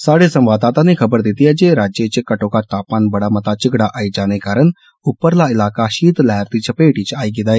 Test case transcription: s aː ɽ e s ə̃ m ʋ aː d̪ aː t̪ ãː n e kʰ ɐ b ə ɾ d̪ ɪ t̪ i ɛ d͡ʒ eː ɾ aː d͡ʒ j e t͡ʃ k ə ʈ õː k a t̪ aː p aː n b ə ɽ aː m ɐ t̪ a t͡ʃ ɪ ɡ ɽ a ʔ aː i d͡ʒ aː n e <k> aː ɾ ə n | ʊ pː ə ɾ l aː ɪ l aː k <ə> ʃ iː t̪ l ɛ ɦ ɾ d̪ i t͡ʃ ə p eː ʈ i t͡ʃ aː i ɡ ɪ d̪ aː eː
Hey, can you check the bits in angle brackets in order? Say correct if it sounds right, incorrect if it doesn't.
correct, incorrect: a

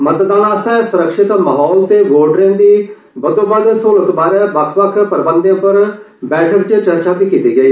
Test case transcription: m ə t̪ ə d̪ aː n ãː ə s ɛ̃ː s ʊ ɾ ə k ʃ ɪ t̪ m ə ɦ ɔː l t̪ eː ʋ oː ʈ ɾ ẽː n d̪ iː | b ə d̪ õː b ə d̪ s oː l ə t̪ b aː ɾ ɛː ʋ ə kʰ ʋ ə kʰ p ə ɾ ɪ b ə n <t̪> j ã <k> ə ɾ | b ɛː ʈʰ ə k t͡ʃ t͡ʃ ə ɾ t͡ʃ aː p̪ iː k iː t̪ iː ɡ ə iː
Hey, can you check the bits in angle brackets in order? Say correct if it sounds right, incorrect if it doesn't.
incorrect: d̪, incorrect: p

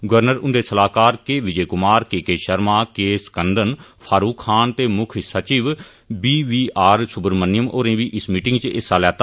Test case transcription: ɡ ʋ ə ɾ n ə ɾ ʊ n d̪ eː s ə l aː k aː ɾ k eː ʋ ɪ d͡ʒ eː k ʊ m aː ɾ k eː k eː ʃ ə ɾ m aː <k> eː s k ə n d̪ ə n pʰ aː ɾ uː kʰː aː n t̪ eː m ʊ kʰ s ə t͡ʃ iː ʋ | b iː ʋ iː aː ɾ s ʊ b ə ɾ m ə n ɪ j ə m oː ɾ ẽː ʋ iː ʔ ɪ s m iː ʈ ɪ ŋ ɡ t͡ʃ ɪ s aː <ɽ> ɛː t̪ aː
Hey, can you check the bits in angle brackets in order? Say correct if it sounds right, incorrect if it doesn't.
correct, incorrect: l

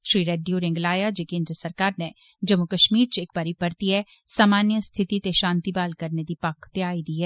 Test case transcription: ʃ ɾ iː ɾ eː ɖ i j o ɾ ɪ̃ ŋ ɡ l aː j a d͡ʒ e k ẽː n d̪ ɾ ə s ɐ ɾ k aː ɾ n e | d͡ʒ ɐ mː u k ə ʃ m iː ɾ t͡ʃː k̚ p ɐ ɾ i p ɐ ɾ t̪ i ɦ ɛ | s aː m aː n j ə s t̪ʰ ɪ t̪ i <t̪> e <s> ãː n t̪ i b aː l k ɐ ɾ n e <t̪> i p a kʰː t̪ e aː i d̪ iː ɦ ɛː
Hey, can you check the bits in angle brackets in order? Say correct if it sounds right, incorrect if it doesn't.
correct, incorrect: ʃ, incorrect: d̪

